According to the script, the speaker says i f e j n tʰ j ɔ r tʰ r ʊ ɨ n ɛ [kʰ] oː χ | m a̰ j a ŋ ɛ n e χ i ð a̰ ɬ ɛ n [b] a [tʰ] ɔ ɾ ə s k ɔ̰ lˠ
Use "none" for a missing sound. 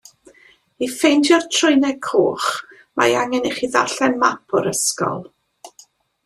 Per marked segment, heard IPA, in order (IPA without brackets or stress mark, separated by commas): kʰ, m, pʰ